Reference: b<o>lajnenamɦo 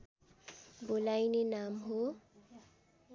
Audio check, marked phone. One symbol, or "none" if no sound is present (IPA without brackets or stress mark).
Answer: o